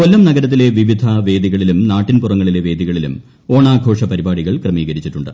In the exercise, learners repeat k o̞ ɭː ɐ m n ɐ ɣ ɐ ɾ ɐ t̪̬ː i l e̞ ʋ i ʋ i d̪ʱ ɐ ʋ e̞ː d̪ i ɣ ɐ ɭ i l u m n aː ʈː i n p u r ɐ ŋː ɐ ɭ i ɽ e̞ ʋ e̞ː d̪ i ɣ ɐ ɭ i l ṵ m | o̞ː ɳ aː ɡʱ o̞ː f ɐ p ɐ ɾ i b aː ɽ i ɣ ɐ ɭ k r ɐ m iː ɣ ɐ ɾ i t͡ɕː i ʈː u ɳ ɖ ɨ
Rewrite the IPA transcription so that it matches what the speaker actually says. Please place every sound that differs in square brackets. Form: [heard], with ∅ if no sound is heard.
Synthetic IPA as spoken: k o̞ [lː] ɐ m n ɐ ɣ ɐ ɾ ɐ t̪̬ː i l e̞ ʋ i ʋ i d̪ʱ ɐ ʋ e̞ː d̪ i ɣ ɐ ɭ i l u m n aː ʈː i n p u r ɐ ŋː ɐ ɭ i [l] e̞ ʋ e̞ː d̪ i ɣ ɐ ɭ i l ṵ m | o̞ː ɳ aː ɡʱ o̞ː [ʂ] ɐ p ɐ ɾ i b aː ɽ i ɣ ɐ ɭ k r ɐ m iː ɣ ɐ ɾ i t͡ɕː i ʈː u ɳ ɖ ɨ